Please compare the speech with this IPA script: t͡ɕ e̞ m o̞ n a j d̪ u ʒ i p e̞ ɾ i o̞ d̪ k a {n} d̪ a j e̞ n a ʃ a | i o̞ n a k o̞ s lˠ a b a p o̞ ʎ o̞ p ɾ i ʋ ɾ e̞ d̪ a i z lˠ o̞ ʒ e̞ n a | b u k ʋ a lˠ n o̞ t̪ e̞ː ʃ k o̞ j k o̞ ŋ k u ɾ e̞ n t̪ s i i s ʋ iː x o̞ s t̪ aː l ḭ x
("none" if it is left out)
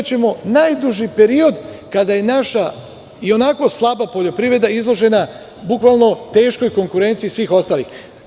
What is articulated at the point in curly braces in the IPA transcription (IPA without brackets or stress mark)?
none